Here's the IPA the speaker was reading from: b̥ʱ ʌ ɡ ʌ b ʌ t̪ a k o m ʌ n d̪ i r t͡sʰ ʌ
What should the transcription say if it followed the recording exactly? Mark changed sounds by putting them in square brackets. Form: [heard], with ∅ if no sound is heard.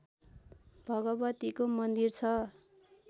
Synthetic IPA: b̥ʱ ʌ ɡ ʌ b ʌ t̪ [i] k o m ʌ n d̪ i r t͡sʰ ʌ